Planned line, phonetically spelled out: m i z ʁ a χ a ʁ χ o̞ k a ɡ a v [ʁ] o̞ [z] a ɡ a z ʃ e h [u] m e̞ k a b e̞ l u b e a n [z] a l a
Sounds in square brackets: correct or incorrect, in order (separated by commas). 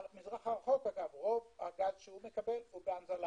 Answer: correct, incorrect, correct, correct